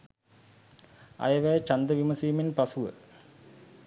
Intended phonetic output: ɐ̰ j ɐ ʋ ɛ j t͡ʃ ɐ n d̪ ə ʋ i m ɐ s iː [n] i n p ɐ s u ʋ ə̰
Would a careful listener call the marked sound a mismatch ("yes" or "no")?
yes